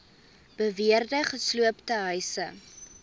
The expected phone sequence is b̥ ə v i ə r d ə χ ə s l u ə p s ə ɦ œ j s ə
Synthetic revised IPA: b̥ ə v i ə r d ə χ ə s l u ə p t ə ɦ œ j s ə